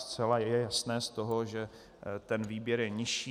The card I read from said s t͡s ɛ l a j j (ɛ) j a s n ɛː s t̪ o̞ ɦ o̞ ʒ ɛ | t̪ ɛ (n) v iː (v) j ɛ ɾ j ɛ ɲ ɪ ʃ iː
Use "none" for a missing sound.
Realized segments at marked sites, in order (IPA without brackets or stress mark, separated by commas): ɛ, n, b